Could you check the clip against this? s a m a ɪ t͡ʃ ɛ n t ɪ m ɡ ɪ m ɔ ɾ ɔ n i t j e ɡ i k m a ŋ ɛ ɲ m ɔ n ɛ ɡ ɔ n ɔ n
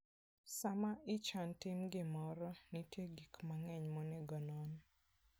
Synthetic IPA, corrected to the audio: s a m a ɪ t͡ʃ a n t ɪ m ɡ ɪ m ɔ ɾ ɔ n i t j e ɡ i k m a ŋ ɛ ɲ m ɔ n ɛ ɡ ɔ n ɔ n

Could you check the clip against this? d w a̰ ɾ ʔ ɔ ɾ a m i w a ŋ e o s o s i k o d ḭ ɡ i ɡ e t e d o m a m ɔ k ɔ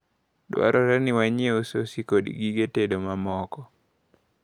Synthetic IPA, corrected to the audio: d w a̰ ɾ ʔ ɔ ɾ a n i w a ɲ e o s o s i k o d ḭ ɡ i ɡ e t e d o m a m ɔ k ɔ

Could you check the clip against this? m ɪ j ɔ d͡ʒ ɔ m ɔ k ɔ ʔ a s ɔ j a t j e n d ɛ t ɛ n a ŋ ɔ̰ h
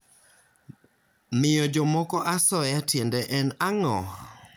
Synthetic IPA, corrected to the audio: m ɪ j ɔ d͡ʒ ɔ m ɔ k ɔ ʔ a s ɔ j a t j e n d ɛ ʔ ɛ n a ŋ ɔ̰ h

